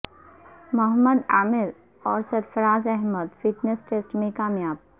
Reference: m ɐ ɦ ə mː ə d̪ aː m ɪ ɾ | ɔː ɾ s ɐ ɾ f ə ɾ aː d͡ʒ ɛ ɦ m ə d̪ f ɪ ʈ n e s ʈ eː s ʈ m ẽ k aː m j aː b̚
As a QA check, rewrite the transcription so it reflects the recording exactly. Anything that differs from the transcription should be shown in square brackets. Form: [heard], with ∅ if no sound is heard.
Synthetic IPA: m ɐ ɦ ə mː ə d̪ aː m ɪ ɾ | ɔː ɾ s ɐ ɾ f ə ɾ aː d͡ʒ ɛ ɦ m ə d̪ f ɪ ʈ n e s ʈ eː s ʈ m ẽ k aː m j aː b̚